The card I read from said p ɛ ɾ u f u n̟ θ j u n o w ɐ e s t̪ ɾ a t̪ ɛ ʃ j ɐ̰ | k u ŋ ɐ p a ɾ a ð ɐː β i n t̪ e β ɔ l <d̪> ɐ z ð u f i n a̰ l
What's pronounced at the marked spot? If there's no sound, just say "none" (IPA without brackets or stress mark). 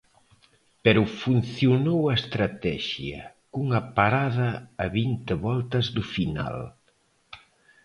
t̪